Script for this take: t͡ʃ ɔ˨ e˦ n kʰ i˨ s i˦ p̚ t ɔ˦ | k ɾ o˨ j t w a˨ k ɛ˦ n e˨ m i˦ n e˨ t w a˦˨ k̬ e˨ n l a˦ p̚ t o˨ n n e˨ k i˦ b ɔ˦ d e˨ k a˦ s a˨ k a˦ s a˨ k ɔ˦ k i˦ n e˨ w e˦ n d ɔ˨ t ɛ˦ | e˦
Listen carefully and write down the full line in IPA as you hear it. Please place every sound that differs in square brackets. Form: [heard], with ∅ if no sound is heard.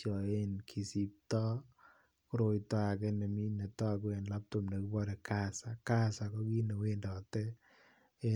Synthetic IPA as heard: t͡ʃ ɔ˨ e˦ n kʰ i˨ s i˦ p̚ t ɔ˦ | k ɾ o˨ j t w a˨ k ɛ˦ n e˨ m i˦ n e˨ t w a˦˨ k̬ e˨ n l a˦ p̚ t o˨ [m] n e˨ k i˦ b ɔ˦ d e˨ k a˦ s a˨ k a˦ s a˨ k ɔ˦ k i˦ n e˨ w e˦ n d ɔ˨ t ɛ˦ | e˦

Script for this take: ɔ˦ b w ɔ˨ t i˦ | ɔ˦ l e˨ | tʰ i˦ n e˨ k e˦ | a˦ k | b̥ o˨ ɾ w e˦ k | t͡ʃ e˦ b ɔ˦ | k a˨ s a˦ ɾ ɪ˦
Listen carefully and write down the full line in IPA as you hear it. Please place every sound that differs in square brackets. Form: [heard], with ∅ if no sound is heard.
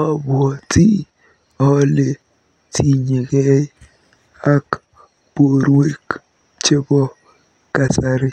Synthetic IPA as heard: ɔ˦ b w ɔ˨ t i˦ | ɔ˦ l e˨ | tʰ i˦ [ɲ] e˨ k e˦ | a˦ k | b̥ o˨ ɾ w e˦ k | t͡ʃ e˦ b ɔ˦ | k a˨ s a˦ ɾ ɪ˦

